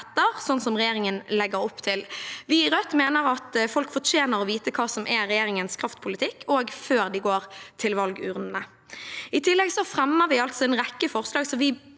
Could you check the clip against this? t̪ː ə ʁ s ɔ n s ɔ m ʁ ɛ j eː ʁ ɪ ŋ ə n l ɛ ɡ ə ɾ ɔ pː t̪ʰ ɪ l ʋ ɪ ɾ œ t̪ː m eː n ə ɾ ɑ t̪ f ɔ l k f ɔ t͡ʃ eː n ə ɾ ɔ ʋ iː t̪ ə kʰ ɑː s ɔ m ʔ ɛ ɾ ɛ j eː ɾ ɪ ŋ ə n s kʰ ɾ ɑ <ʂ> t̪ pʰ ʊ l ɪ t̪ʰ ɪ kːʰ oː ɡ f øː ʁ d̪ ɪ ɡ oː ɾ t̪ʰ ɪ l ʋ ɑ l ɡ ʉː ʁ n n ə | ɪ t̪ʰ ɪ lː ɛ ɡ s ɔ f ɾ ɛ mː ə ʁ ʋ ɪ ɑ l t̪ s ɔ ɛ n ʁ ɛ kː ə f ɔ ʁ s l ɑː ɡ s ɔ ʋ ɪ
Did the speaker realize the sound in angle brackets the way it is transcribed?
no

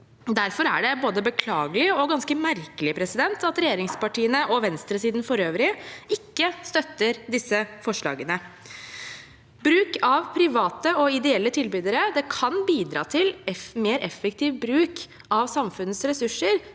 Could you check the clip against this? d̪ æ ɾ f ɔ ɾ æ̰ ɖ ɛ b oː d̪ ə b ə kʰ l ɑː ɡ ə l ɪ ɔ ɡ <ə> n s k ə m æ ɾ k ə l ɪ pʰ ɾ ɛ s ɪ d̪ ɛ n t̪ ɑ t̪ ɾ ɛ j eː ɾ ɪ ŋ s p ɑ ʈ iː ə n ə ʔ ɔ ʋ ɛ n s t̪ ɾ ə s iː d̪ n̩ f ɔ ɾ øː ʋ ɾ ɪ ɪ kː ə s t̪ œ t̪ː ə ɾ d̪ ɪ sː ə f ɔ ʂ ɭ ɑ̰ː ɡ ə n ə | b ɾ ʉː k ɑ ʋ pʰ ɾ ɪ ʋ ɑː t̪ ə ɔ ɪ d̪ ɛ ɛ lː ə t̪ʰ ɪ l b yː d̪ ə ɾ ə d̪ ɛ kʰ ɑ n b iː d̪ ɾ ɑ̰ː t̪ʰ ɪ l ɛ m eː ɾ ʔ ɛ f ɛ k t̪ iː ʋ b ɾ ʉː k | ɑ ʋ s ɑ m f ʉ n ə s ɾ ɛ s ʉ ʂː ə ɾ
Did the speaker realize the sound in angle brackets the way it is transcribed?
no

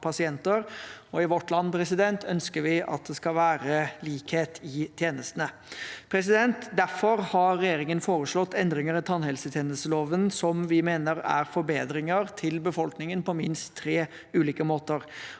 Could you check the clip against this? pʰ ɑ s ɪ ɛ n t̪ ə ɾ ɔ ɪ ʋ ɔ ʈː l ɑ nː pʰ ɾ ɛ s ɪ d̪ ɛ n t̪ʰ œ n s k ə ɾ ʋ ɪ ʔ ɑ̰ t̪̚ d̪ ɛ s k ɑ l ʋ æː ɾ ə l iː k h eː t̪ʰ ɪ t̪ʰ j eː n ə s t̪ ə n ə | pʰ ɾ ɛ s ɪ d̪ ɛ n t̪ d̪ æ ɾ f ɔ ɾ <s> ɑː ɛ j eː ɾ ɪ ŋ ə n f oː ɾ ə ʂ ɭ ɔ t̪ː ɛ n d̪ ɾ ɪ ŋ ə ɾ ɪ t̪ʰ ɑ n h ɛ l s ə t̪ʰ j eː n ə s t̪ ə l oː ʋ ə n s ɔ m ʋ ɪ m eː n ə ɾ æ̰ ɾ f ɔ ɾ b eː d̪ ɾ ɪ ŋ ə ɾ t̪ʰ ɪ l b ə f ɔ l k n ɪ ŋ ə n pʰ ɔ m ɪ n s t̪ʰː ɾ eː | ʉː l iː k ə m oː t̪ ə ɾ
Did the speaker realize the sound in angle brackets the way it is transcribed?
no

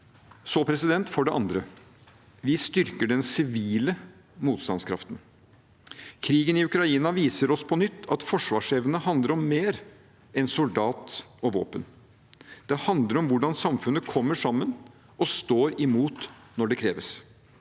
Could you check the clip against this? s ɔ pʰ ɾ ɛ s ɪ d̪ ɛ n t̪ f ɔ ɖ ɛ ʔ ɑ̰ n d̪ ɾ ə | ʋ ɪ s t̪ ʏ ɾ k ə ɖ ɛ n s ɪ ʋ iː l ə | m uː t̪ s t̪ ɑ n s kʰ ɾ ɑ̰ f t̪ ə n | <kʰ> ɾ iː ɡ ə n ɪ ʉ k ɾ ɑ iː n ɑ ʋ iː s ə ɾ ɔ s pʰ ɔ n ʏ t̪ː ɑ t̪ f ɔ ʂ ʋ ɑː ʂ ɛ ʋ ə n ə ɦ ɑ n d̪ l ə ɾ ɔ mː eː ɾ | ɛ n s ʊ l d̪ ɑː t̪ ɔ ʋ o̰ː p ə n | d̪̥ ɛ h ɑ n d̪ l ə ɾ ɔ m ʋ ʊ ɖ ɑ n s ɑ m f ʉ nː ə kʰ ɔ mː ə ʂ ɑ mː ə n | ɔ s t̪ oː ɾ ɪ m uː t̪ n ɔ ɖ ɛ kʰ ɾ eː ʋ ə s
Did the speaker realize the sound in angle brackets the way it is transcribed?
yes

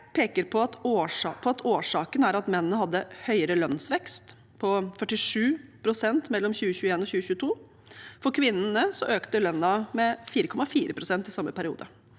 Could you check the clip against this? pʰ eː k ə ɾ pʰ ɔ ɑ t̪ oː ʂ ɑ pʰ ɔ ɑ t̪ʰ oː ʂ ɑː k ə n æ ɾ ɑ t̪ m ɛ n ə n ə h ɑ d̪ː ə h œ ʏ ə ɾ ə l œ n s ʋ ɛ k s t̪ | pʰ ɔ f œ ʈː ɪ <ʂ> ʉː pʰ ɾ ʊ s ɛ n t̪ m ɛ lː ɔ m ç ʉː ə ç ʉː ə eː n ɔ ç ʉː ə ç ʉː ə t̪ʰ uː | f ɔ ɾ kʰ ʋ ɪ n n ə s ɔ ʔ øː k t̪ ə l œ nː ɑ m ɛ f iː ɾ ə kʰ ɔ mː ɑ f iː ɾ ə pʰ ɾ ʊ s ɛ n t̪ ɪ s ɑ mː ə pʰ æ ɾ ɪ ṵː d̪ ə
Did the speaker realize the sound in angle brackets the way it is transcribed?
yes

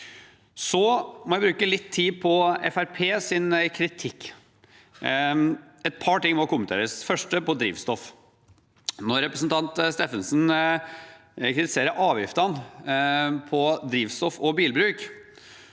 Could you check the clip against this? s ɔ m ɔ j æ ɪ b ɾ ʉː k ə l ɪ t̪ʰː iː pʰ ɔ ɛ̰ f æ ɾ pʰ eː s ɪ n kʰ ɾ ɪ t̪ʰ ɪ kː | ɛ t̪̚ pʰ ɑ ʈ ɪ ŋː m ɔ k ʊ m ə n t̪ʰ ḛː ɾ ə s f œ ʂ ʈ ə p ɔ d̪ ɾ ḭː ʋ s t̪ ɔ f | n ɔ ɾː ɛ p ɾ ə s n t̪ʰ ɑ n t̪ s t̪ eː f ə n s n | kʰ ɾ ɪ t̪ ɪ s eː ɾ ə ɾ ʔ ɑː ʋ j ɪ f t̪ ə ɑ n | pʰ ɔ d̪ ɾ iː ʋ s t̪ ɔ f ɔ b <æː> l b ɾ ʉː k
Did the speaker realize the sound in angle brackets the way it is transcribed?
no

